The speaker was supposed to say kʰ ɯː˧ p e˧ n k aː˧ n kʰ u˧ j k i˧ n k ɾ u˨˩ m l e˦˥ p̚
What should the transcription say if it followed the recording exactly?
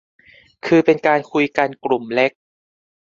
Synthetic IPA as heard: kʰ ɯː˧ p e˧ n k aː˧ n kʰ u˧ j k a˧ n k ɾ u˨˩ m l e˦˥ k̚